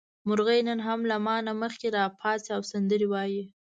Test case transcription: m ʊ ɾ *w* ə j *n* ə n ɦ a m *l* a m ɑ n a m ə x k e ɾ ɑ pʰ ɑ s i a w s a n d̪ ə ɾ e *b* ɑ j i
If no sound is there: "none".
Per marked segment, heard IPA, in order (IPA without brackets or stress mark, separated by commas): ɣ, n, l, w